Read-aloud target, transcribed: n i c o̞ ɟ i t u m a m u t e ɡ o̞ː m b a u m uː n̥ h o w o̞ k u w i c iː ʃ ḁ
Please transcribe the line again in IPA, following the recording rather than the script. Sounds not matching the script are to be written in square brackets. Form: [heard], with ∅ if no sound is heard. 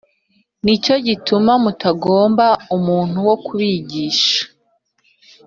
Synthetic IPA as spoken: n i c o̞ ɟ i t u m a m u t [a] ɡ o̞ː m b a u m uː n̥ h [u] w o̞ k u [β] i [ɟ] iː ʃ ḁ